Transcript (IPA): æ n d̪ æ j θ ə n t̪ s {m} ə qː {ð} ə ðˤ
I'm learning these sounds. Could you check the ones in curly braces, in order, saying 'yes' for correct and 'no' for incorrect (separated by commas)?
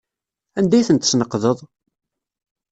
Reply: no, yes